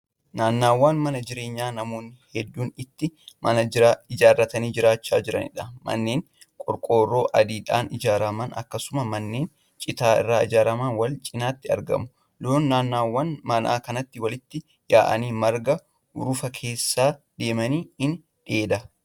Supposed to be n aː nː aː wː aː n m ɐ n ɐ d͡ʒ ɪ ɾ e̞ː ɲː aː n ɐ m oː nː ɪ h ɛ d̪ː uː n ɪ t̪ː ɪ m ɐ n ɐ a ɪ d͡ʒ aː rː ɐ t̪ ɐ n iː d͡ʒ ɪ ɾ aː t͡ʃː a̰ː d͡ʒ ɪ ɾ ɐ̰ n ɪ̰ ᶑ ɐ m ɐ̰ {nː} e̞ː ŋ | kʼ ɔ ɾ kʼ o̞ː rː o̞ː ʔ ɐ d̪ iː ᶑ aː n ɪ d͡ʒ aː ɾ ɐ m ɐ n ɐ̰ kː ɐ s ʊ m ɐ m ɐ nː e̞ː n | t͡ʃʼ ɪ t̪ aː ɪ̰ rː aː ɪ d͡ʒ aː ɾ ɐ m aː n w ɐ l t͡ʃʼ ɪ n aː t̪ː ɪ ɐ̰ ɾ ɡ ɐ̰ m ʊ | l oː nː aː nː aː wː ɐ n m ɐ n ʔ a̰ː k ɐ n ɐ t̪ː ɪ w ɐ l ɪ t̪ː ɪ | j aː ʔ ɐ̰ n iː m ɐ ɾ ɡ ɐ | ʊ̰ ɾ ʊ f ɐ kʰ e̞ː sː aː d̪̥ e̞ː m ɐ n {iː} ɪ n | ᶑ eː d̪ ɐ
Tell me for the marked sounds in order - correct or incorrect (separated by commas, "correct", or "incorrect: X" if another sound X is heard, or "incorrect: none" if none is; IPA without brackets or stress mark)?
correct, correct